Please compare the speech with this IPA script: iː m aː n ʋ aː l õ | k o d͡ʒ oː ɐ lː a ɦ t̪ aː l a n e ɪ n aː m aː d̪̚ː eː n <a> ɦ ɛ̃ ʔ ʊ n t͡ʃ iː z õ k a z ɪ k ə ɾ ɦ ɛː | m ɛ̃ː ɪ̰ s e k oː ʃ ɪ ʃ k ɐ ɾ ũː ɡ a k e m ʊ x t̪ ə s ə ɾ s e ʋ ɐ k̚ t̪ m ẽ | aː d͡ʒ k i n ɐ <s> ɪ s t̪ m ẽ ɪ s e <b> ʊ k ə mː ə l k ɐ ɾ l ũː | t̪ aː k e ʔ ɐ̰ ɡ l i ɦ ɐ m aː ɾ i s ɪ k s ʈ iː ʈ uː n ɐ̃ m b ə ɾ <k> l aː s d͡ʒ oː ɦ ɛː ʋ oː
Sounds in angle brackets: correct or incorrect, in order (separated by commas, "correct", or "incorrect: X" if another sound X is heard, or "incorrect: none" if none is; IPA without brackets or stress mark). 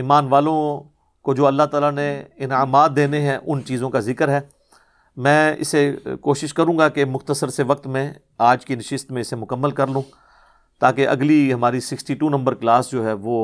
incorrect: e, incorrect: ʃ, incorrect: m, correct